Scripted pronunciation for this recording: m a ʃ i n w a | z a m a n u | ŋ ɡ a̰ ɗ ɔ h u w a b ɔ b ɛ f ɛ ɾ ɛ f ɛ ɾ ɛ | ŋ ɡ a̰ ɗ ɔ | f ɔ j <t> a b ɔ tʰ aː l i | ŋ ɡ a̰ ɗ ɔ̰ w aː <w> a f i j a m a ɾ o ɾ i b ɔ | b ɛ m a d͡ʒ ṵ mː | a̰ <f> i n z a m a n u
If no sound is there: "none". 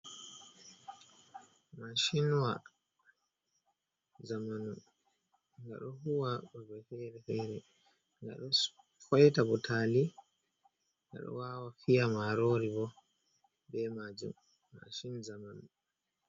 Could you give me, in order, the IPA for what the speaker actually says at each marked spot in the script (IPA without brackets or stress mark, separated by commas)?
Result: t, w, ʃ